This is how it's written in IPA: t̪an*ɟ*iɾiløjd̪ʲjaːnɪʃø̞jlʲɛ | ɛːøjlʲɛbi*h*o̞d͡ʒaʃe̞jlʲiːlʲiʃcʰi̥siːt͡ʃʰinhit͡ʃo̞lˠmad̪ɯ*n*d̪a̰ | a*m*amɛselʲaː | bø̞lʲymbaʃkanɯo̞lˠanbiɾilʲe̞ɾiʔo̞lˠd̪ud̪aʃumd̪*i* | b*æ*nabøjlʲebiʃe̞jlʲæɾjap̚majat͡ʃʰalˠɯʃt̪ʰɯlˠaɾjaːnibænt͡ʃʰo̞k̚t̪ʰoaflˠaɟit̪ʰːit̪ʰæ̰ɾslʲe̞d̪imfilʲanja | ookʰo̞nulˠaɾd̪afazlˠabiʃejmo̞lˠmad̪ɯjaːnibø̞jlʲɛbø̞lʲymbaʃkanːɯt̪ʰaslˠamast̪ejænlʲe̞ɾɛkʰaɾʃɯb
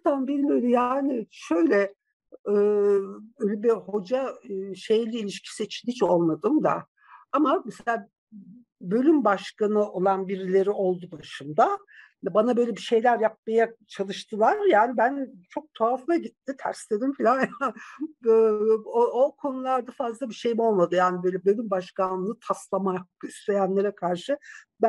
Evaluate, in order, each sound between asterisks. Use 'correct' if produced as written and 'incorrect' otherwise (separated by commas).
incorrect, correct, incorrect, correct, incorrect, incorrect